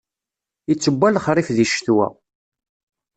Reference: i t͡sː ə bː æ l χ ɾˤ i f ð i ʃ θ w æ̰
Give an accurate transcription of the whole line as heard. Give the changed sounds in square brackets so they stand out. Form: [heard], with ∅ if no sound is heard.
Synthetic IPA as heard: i t͡sː ə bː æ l χ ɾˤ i f ð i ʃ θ w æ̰